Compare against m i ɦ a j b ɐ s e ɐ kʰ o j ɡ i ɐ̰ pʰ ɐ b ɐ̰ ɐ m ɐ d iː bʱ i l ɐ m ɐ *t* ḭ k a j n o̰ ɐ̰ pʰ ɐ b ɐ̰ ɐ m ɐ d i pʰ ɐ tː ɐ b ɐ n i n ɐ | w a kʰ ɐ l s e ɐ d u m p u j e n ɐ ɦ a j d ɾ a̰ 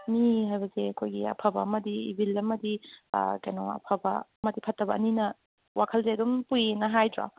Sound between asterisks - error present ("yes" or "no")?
yes